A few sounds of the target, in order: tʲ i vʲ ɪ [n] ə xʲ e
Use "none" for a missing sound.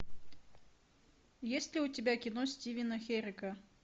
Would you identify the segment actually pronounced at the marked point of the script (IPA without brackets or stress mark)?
n